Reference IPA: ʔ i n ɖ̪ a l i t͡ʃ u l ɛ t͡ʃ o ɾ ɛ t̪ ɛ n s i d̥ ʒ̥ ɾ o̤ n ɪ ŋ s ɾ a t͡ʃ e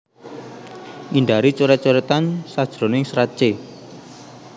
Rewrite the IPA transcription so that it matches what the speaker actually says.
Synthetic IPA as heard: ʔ i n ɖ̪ a ɾ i t͡ʃ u ɾ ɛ t͡ʃ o ɾ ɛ t̪ a n s a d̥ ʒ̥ ɾ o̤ n ɪ ŋ s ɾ a t͡ʃ e